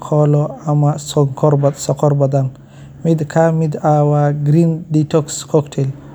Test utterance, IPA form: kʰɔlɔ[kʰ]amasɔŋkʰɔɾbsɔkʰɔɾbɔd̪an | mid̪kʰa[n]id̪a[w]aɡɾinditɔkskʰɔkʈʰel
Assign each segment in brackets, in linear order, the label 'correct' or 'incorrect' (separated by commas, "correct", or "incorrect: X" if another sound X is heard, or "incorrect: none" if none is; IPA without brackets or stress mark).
incorrect: none, incorrect: m, correct